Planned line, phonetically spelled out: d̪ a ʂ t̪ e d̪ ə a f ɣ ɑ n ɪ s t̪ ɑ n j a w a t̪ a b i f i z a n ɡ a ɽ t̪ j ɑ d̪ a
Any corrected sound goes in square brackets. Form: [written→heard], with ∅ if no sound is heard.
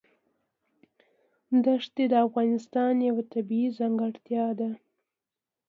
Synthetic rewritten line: d̪ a ʂ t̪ e d̪ ə a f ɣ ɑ n ɪ s t̪ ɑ n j a w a t̪ a b i [f→∅] i z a [n→ŋ] ɡ a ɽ t̪ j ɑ d̪ a

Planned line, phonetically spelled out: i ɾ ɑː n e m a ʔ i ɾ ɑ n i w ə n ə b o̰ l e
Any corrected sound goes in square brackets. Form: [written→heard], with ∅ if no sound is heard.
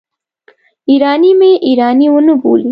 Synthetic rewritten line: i ɾ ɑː n [e→i] m [a→e] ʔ i ɾ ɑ n i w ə n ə b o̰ l [e→i]

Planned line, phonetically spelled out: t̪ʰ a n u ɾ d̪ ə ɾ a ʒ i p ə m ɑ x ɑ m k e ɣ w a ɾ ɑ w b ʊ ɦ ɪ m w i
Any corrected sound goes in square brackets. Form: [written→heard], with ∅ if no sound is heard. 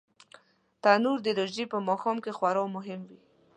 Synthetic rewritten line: [t̪ʰ→t̪] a n u ɾ d̪ ə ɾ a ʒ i p ə m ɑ x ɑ m k e [ɣ→x] w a ɾ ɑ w [b→m] ʊ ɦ ɪ m w i

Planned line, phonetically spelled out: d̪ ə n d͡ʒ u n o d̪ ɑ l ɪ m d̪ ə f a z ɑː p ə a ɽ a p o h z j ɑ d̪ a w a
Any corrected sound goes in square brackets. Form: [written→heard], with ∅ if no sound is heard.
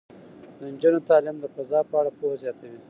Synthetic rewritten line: d̪ ə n d͡ʒ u n o [d̪→t̪] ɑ l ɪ m d̪ ə f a z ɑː p ə a ɽ a p o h z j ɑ [d̪→t̪] a w [a→i]

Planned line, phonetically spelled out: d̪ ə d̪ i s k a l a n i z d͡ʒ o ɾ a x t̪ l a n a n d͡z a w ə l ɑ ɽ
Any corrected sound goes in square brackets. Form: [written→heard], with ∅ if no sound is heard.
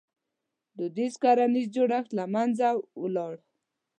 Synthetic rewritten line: d̪ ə d̪ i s k a [l→ɾ] a n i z d͡ʒ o [ɾ→ɽ] a x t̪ l a [n→m] a n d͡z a w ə l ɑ ɽ

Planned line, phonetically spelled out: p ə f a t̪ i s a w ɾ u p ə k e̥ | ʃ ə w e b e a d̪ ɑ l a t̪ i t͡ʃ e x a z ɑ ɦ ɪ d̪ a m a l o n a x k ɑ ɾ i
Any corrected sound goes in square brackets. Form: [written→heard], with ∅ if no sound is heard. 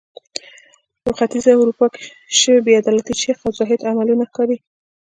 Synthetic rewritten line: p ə [f→x] a t̪ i [s→z] a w ɾ u p [ə→ɑ] k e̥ | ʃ ə w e b e a d̪ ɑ l a t̪ i t͡ʃ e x a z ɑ ɦ ɪ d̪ a m a l [o→u] n a x k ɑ ɾ i

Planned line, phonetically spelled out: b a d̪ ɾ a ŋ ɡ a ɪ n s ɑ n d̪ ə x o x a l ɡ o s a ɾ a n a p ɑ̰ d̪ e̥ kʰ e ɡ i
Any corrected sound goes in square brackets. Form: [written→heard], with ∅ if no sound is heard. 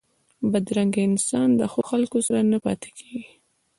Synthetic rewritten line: b a d̪ ɾ a ŋ ɡ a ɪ n s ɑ n d̪ ə x o x a l [ɡ→k] o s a ɾ a n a p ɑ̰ [d̪→t̪] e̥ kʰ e ɡ i

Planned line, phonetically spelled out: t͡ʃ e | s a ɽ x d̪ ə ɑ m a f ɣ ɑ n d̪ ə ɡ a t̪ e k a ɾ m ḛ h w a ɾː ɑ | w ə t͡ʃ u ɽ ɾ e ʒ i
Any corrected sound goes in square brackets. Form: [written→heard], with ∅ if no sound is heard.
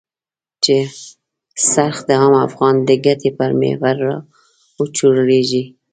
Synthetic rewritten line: t͡ʃ e | s a [ɽ→ɾ] x d̪ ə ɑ m a f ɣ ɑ n d̪ ə ɡ a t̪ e [k→p] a ɾ m ḛ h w a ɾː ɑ | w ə t͡ʃ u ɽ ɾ e ʒ i

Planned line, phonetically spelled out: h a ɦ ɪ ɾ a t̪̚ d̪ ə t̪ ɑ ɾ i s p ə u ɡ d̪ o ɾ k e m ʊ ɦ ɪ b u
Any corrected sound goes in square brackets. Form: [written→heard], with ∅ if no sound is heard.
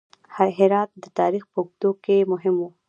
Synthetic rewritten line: h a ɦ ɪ ɾ [a→ɑ] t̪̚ d̪ ə t̪ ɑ ɾ i [s→x] p ə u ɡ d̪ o [ɾ→∅] k e m ʊ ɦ ɪ [b→m] u

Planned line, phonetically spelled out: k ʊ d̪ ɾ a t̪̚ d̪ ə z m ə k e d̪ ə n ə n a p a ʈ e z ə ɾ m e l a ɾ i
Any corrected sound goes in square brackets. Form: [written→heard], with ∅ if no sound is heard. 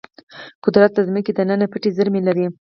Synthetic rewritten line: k ʊ d̪ ɾ a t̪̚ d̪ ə z m ə k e d̪ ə n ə n a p [a→ə] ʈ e z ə ɾ m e l a ɾ i

